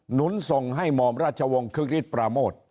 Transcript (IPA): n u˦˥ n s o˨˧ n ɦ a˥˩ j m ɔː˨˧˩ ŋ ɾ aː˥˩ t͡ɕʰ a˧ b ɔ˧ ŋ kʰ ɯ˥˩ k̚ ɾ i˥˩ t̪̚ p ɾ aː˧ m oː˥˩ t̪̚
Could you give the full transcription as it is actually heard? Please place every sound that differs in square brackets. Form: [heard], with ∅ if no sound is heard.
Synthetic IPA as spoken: n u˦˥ n s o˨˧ [ŋ] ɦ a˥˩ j m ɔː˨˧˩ [m] ɾ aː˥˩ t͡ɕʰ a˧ [w] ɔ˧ ŋ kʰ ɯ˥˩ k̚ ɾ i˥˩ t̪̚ p ɾ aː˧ m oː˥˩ t̪̚